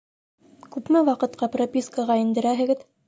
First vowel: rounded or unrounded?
rounded